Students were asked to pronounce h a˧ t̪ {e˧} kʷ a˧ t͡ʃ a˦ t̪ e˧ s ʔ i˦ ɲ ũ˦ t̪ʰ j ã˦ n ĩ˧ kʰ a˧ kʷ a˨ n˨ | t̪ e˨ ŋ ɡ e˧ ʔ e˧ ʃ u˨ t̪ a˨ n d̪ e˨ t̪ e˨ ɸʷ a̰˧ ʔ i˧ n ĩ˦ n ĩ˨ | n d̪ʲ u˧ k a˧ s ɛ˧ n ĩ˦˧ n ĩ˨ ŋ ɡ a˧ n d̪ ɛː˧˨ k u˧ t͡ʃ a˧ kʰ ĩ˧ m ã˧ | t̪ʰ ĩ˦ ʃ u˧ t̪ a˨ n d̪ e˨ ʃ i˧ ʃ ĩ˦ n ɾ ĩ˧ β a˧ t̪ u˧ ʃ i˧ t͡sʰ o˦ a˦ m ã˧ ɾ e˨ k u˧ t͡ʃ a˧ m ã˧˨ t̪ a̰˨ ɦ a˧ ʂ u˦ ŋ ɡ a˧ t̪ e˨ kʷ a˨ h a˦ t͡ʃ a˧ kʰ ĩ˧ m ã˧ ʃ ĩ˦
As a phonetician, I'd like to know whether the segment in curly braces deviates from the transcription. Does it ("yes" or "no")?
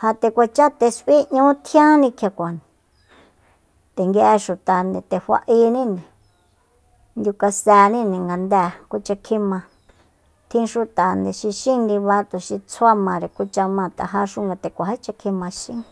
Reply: no